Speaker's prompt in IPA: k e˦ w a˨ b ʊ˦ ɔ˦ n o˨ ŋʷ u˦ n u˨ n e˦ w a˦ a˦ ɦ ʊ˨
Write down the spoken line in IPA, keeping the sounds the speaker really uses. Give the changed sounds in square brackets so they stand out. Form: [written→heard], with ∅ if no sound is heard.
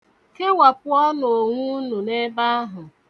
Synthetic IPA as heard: k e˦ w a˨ [b→p] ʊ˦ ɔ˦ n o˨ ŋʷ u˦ n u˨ n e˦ [w→b] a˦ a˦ ɦ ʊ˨